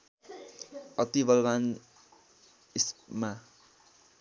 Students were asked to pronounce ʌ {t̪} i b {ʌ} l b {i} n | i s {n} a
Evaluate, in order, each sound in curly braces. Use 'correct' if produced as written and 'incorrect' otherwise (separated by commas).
correct, correct, incorrect, incorrect